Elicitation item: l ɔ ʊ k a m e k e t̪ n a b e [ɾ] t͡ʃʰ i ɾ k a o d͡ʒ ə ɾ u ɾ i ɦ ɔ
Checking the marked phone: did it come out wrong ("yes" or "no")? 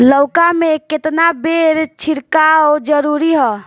no